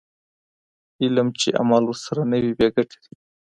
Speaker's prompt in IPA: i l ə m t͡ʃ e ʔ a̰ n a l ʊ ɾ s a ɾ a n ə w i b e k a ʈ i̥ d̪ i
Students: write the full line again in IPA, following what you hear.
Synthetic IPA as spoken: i l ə m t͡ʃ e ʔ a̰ m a l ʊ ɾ s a ɾ a n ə w i b e ɡ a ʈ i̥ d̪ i